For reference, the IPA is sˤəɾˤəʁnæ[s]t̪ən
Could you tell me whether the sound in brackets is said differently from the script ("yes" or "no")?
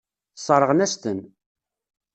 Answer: no